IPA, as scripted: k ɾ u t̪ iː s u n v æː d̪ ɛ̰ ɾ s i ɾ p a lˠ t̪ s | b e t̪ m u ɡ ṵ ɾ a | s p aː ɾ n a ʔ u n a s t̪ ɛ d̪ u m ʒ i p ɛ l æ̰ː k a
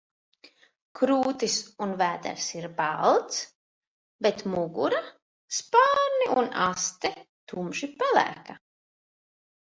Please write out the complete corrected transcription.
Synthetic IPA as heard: k ɾ uː t̪ i s u n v æː d̪ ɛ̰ ɾ s i ɾ b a lˠ t̪ s | b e t̪ m u ɡ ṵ ɾ a | s p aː ɾ n i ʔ u n a s t̪ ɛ t̪ u m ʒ i p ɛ l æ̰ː k a